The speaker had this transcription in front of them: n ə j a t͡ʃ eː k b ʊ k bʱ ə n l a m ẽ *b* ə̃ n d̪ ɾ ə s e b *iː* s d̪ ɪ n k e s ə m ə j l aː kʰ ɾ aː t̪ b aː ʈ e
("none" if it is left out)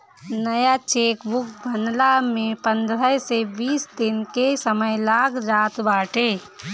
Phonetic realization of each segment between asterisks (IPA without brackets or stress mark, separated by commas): p, iː